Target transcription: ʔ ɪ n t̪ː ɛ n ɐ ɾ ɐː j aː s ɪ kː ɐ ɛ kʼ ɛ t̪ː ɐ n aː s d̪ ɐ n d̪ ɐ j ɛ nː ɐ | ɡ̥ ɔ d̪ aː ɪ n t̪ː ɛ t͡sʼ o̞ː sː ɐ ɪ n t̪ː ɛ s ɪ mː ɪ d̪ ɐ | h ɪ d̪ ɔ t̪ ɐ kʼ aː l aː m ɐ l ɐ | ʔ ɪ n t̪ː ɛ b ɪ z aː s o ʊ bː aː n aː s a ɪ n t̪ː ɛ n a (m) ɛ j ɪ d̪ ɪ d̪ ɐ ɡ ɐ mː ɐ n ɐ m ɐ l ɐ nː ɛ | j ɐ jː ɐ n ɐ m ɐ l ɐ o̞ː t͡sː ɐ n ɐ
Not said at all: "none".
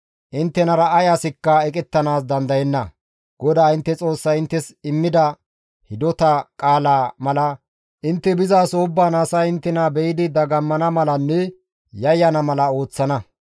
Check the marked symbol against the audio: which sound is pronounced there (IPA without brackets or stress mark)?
b